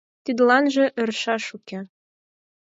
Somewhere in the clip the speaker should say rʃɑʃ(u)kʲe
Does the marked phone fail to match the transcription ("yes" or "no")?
no